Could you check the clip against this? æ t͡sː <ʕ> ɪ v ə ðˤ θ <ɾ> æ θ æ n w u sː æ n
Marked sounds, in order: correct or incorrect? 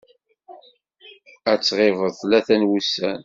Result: incorrect: ʁ, incorrect: l

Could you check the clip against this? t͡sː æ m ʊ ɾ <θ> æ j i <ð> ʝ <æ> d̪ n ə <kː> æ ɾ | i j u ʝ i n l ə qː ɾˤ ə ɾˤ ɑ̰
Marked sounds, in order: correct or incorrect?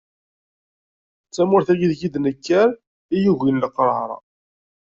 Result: correct, correct, incorrect: i, correct

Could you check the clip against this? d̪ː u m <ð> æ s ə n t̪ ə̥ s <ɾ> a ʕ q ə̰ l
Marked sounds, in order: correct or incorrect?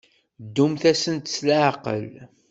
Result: incorrect: θ, incorrect: l

